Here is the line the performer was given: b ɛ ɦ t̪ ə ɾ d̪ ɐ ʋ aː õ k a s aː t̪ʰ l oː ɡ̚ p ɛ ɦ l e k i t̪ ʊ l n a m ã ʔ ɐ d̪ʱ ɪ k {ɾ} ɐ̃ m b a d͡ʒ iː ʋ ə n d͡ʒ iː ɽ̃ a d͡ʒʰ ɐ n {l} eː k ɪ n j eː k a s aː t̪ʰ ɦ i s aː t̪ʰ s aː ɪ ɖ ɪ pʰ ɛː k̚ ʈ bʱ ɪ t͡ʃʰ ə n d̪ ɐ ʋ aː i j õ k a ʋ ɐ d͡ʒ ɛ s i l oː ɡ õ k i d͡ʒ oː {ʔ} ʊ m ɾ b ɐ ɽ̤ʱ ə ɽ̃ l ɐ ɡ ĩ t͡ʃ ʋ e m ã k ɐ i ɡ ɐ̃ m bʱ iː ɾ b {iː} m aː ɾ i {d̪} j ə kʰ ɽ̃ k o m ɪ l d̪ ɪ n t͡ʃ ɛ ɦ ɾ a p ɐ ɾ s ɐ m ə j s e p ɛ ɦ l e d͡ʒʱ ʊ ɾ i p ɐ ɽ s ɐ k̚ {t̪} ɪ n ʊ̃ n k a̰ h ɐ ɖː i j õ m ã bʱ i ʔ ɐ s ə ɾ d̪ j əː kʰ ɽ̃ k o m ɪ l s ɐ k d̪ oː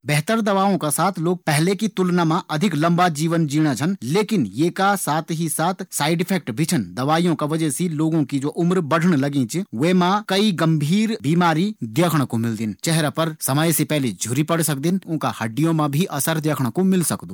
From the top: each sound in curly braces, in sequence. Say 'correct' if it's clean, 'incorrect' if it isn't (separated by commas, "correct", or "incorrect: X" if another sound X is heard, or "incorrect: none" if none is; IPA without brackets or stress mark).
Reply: incorrect: l, correct, correct, correct, correct, incorrect: d̪